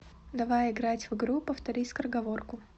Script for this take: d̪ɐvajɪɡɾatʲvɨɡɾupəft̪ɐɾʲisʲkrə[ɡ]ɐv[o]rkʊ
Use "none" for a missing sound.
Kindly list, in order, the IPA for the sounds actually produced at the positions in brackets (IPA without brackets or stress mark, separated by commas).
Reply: ɡ, o